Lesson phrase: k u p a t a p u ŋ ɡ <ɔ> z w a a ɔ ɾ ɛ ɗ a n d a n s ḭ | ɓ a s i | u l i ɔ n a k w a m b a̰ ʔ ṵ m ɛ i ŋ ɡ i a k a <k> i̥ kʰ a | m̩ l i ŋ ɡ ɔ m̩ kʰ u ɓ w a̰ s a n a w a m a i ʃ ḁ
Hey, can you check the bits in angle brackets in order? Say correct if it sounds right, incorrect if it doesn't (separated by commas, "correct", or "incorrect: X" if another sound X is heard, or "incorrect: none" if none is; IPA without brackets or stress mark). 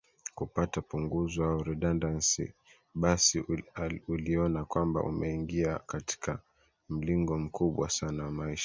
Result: incorrect: u, incorrect: t